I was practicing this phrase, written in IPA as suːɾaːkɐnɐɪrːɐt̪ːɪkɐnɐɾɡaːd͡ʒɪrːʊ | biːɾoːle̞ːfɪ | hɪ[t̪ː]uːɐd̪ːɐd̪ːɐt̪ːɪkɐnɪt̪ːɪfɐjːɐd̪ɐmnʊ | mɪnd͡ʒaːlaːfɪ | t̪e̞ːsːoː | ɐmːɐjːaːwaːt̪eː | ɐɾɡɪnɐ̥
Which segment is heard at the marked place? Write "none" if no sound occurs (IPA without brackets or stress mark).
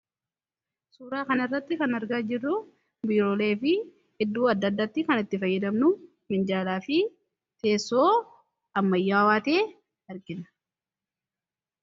d̪ː